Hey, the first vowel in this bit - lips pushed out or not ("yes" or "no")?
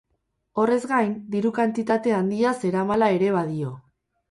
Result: yes